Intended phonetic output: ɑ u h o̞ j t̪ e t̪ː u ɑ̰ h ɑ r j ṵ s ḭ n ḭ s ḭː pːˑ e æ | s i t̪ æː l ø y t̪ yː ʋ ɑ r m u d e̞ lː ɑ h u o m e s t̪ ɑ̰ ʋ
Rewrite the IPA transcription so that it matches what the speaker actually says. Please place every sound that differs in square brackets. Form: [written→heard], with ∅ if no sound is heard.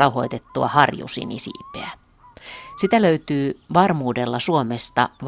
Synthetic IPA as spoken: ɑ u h o̞ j t̪ e t̪ː u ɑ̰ h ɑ r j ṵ s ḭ n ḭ s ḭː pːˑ e æ | s i t̪ [æː→æ] l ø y t̪ yː ʋ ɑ r m [u→uː] d e̞ lː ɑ [h→s] u o m e s t̪ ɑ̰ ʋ